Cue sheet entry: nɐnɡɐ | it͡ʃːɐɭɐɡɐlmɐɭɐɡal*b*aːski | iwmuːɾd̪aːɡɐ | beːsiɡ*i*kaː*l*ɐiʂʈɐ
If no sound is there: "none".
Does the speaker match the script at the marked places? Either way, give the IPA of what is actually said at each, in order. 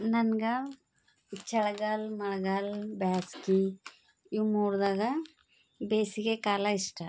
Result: b, e, l

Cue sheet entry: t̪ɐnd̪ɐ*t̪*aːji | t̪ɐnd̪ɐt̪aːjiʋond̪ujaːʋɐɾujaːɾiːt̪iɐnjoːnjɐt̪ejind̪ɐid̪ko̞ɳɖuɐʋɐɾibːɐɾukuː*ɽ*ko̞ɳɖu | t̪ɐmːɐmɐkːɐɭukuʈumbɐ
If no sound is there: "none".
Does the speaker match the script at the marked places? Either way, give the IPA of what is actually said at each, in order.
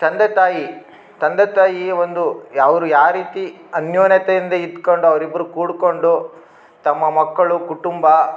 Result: t̪, ɽ

